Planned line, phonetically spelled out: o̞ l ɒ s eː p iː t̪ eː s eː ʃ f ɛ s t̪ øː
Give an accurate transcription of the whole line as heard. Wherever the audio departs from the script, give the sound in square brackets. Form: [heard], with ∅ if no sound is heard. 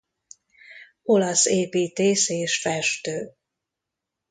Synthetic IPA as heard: o̞ l ɒ s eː p iː t̪ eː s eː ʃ f ɛ [ʃ] t̪ øː